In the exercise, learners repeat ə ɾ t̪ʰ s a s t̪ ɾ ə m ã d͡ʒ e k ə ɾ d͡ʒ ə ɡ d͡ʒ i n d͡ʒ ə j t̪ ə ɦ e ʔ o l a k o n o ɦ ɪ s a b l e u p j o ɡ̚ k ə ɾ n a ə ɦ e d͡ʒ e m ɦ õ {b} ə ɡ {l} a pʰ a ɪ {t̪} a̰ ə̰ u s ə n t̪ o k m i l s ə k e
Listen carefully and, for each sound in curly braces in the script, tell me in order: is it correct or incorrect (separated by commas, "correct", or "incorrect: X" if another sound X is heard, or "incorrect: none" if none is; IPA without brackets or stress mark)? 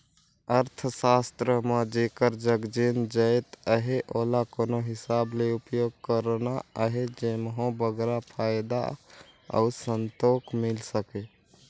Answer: correct, incorrect: ɾ, incorrect: d̪